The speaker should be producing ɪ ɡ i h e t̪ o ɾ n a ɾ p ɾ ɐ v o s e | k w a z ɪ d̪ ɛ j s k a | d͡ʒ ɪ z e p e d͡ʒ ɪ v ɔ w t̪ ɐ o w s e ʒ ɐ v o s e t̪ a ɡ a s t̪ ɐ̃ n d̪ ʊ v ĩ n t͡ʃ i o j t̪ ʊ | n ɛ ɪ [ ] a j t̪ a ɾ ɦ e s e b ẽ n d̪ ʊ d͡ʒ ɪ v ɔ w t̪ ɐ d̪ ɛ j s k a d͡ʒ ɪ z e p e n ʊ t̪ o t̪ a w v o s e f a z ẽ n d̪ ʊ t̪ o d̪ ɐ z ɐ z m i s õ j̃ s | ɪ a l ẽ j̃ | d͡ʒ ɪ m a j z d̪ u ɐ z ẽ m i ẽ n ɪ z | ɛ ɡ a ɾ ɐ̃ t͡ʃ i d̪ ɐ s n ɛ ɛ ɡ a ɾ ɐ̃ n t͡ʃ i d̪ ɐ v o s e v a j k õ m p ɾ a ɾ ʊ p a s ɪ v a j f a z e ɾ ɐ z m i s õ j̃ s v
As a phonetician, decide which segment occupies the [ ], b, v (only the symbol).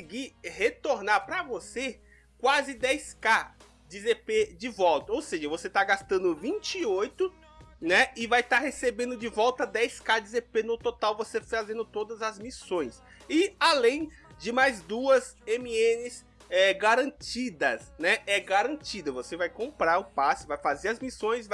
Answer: v